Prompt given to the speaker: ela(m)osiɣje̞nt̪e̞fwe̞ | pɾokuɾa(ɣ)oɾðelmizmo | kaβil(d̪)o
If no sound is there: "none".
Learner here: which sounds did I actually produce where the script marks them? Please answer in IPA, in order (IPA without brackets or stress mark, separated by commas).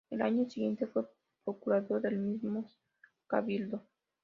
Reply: ɲ, ð, d̪